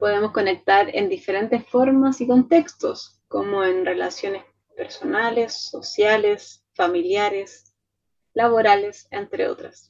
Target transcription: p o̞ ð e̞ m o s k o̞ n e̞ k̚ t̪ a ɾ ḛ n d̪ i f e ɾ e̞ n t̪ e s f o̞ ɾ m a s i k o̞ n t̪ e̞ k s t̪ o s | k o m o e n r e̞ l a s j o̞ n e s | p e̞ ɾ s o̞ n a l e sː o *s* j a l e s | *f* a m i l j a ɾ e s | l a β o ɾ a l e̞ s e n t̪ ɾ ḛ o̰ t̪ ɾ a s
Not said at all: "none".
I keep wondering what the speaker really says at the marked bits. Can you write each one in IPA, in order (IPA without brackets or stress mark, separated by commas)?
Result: s, f